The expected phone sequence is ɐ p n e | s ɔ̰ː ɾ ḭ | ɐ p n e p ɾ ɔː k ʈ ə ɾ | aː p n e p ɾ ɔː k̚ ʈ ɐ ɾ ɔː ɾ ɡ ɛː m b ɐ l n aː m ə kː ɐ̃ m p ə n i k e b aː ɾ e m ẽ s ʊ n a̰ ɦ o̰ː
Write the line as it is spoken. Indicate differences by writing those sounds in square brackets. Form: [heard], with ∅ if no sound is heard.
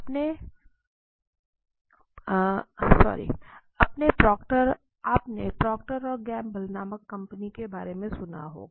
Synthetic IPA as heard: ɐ p n e | s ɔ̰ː ɾ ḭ | ɐ p n e p ɾ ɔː k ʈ ə ɾ | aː p n e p ɾ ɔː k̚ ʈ [ə] ɾ ɔː ɾ ɡ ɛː m b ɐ l n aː m ə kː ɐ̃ m p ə n i k e b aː ɾ e m ẽ s ʊ n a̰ ɦ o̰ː